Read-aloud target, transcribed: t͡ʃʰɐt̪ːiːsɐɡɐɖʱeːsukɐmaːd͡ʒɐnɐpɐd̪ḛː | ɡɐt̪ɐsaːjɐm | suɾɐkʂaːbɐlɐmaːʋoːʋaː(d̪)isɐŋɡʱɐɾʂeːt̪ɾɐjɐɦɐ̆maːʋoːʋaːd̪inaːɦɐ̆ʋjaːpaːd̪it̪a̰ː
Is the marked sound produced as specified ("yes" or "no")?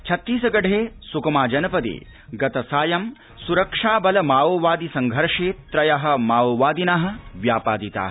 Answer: yes